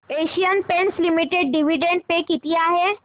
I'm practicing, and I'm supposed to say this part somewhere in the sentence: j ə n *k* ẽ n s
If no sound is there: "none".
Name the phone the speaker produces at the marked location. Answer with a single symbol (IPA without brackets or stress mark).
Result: p